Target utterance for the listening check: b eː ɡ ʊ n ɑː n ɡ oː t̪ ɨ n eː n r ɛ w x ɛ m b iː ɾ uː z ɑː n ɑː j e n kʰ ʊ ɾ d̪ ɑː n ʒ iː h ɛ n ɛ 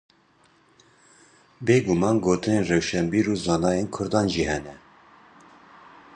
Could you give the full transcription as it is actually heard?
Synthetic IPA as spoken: b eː ɡ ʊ m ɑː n ɡ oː t̪ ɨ n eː n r ɛ w ʃ ɛ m b iː ɾ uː z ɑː n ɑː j e n kʰ ʊ ɾ d̪ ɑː n ʒ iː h ɛ n ɛ